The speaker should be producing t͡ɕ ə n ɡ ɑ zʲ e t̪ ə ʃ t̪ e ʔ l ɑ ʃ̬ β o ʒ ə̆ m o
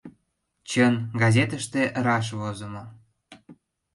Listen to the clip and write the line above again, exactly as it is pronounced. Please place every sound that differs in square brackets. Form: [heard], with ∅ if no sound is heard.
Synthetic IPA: t͡ɕ ə n ɡ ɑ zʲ e t̪ ə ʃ t̪ e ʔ [ɾ] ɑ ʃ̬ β o [z] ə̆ m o

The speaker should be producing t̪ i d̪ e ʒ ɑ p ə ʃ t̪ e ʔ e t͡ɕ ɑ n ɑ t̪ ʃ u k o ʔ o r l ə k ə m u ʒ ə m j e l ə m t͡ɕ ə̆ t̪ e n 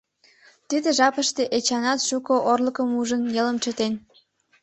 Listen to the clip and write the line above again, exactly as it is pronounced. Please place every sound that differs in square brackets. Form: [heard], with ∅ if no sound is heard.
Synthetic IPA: t̪ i d̪ e ʒ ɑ p ə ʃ t̪ e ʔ e t͡ɕ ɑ n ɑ t̪ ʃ u k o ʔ o r l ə k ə m u ʒ ə [n] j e l ə m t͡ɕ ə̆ t̪ e n

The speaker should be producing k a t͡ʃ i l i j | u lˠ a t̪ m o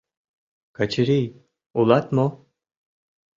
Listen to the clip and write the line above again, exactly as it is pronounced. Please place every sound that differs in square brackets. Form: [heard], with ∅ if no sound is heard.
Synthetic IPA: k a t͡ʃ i [ɾ] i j | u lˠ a t̪ m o

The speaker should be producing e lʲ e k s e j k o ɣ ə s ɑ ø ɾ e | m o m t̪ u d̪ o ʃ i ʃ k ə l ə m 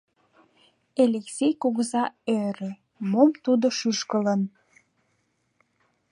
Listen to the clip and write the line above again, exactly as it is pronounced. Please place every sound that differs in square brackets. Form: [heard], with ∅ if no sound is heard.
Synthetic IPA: e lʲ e k s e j k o ɣ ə [z] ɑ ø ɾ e | m o m t̪ u d̪ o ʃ [y] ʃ k ə l ə [n]

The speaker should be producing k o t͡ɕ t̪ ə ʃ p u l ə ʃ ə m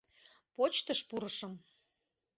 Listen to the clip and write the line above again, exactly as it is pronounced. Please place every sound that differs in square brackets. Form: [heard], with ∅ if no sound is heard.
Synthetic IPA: [p] o t͡ɕ t̪ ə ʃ p u [ɾ] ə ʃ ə m

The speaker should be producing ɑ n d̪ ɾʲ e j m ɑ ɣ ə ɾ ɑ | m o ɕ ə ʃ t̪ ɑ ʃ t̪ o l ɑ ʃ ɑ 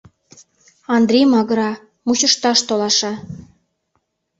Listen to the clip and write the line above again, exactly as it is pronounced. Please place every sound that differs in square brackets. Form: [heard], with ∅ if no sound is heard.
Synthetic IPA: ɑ n d̪ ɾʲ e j m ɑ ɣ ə ɾ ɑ | m [u] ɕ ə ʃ t̪ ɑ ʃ t̪ o l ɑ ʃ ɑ

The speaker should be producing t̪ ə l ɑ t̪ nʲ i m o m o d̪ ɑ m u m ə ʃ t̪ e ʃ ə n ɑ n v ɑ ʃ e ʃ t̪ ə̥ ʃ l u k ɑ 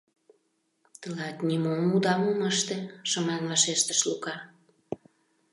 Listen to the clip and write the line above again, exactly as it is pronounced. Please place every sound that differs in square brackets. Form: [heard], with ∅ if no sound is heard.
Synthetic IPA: t̪ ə l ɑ t̪ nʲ i m o m [u] d̪ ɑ m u m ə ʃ t̪ e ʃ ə [m] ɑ n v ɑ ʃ e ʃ t̪ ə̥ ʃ l u k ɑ

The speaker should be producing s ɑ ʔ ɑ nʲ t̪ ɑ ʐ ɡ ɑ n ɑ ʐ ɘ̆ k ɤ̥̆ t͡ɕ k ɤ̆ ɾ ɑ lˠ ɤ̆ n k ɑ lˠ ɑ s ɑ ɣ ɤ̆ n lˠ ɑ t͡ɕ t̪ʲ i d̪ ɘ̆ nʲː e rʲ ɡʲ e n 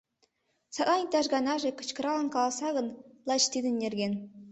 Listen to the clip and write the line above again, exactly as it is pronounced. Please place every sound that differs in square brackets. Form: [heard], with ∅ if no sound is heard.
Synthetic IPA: s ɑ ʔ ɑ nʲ t̪ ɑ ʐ ɡ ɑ n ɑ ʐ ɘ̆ k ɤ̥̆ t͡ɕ k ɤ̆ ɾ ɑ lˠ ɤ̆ n k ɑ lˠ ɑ s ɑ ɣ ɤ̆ n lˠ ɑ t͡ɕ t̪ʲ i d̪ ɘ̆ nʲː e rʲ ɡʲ e n

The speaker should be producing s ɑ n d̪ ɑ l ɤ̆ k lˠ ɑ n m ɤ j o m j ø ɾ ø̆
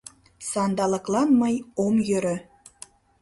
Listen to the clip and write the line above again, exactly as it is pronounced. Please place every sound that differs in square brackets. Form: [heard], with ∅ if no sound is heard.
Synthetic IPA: s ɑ n d̪ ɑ l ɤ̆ k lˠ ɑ n m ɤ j o m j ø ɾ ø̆

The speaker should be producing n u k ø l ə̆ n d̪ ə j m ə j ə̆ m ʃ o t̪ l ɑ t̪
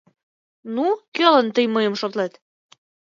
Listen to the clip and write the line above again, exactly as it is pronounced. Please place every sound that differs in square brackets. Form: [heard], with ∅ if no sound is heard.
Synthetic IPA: n u k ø l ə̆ n [t̪] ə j m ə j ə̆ m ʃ o t̪ l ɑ t̪

